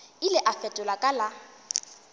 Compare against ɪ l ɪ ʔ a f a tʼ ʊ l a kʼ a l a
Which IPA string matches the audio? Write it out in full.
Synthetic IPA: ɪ l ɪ ʔ a f ɛ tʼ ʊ l a kʼ a l a